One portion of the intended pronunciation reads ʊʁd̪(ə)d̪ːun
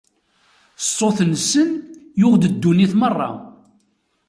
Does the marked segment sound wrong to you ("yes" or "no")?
no